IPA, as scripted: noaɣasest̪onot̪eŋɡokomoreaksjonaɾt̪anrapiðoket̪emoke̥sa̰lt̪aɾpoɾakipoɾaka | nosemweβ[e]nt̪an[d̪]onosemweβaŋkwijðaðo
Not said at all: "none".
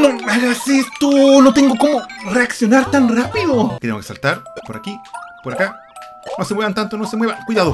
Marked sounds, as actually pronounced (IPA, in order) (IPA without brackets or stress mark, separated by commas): a, t̪